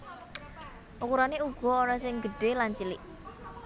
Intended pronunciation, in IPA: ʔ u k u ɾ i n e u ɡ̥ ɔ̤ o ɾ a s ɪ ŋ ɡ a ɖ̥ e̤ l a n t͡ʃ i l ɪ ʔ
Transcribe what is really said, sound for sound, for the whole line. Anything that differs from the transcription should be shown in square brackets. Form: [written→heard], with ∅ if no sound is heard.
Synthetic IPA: ʔ u k u ɾ [i→a] n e u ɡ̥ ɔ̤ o ɾ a s ɪ ŋ ɡ [a→ə] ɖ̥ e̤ l a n t͡ʃ i l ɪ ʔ